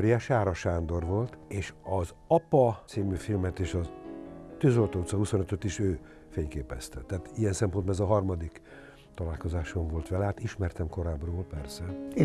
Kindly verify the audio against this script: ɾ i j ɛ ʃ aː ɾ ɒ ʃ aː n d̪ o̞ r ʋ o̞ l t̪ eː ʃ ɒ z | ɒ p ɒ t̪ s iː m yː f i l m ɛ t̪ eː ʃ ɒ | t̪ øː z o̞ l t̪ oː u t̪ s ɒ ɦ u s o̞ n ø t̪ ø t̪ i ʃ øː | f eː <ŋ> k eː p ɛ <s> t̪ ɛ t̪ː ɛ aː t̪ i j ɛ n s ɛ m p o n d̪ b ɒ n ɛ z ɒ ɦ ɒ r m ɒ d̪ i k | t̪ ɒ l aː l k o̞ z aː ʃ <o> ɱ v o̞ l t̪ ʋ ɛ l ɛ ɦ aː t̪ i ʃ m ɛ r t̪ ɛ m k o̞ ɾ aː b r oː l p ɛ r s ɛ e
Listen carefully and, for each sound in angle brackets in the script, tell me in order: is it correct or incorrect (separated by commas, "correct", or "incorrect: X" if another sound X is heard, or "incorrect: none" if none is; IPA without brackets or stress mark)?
incorrect: ɲ, correct, correct